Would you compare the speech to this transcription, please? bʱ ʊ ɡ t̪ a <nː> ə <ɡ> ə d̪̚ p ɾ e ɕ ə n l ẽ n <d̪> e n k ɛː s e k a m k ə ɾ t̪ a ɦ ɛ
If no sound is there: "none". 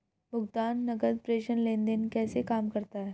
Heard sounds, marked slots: nː, ɡ, d̪

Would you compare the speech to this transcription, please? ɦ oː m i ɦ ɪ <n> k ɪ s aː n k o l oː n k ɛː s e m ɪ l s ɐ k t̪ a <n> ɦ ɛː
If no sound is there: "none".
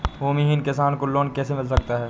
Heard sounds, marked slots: n, none

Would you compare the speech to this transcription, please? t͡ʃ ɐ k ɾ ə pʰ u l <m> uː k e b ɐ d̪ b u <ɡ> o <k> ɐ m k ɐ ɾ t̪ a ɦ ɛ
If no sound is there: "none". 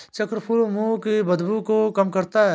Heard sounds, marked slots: m, k, k

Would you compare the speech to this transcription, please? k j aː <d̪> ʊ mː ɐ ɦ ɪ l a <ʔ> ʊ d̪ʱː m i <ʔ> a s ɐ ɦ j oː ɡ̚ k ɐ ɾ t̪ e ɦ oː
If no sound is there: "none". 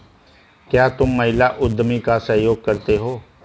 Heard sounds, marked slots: t̪, ʔ, k

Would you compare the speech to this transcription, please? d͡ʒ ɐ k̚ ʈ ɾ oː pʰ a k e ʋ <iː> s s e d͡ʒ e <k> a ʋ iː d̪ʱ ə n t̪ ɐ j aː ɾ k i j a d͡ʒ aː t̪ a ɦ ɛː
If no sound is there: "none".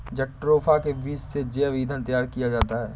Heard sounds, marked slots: iː, none

